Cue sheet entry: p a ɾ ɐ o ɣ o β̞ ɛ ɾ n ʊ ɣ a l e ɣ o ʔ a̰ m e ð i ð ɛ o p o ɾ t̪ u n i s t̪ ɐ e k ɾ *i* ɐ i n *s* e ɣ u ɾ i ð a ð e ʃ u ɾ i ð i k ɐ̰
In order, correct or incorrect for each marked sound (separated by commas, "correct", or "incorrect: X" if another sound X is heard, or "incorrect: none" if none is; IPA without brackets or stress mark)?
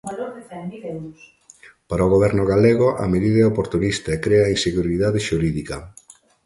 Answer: incorrect: e, correct